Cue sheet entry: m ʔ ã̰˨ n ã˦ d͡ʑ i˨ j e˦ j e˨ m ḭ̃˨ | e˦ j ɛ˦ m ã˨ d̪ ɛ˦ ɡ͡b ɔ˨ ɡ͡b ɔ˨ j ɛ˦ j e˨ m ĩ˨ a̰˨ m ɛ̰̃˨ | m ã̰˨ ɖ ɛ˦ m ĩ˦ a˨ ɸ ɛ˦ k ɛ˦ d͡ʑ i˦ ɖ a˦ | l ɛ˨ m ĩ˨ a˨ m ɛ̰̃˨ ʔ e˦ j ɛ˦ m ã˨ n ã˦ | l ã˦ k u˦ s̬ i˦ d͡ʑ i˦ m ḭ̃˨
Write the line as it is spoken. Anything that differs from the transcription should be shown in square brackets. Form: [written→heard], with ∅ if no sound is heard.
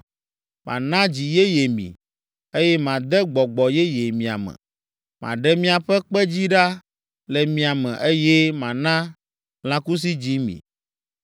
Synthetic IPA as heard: m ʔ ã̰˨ n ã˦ d͡ʑ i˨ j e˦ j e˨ m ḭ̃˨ | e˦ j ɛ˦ m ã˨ d̪ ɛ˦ ɡ͡b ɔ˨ ɡ͡b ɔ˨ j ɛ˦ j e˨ m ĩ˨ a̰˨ m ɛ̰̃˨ | m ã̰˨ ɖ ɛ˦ m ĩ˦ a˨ ɸ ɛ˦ [k→k͡p] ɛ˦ d͡ʑ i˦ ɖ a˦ | l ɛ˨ m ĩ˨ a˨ m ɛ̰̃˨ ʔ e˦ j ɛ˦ m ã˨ n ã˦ | l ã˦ k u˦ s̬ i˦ d͡ʑ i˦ m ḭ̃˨